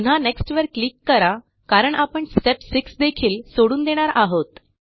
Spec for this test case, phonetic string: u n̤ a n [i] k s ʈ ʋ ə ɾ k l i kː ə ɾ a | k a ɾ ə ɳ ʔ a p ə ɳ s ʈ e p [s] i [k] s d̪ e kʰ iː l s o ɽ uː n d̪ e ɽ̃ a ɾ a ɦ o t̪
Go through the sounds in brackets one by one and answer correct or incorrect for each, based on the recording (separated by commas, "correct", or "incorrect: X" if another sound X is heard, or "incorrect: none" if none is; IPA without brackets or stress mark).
incorrect: e, correct, correct